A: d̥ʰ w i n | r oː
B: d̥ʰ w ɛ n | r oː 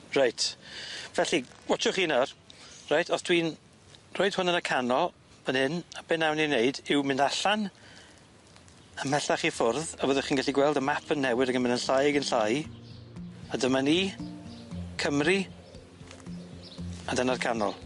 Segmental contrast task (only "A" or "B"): A